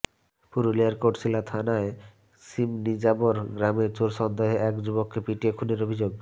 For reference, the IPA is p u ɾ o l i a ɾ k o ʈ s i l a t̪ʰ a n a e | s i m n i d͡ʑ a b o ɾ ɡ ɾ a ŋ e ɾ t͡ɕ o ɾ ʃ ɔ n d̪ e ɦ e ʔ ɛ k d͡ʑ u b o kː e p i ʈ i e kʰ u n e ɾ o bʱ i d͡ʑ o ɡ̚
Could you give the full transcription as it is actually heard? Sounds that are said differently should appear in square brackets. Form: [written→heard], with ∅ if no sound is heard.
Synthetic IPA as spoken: p u ɾ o l i a ɾ k o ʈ s i l a t̪ʰ a n a e | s i m n i d͡ʑ a b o ɾ ɡ ɾ a [ŋ→m] e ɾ t͡ɕ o ɾ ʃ ɔ n d̪ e ɦ e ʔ ɛ k d͡ʑ u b o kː e p i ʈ i e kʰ u n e ɾ o bʱ i d͡ʑ o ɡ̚